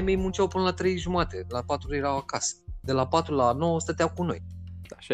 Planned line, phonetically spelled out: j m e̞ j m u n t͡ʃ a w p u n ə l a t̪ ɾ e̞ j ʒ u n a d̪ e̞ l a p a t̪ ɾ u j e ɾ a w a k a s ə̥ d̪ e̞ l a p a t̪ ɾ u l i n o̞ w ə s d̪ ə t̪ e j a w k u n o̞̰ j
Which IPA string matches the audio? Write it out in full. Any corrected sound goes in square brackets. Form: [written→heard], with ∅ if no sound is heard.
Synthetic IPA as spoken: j m e̞ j m u n t͡ʃ a w p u n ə l a t̪ ɾ e̞ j ʒ u [n→m] a [d̪→t̪] e̞ l a p a t̪ ɾ u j e ɾ a w a k a s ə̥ d̪ e̞ l a p a t̪ ɾ u l [i→a] n o̞ w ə s [d̪→t̪] ə t̪ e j a w k u n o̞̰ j